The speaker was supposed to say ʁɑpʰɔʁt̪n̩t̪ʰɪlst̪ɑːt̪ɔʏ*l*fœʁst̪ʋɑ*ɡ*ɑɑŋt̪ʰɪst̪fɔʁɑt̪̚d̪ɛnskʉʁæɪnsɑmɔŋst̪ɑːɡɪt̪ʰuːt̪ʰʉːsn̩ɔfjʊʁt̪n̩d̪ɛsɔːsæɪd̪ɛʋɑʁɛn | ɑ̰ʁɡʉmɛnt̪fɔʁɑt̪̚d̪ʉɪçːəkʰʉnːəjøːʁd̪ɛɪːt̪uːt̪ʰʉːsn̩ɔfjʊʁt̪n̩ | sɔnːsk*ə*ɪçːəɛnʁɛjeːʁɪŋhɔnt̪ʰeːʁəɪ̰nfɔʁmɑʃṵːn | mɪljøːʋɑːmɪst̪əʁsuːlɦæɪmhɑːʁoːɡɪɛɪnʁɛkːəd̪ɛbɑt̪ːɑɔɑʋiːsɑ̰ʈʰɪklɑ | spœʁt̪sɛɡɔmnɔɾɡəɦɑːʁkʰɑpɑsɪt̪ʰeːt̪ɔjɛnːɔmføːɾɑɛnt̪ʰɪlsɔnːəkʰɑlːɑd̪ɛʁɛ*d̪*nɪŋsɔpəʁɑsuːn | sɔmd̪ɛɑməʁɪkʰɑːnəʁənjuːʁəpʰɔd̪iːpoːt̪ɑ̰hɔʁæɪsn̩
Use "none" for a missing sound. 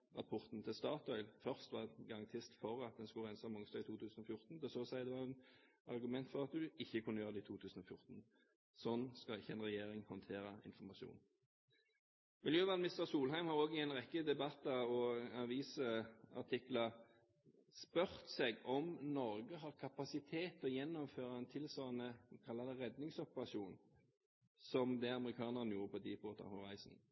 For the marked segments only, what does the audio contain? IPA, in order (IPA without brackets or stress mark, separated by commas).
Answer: l, ɡ, ɑ, d̪